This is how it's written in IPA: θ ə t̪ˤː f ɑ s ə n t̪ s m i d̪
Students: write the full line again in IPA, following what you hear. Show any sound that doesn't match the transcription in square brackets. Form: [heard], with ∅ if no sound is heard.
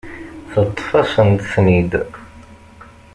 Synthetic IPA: θ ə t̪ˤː f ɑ s ə n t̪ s [n] i d̪